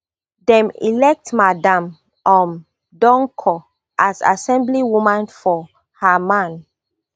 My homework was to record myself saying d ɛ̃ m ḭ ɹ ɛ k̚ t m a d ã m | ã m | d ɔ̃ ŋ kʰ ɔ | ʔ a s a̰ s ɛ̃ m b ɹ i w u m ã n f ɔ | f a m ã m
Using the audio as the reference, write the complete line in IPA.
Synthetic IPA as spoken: d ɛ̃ m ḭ l ɛ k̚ t m a d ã m | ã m | d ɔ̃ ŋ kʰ ɔ | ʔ a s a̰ s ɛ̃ m b l i w u m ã n f ɔ | h a m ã n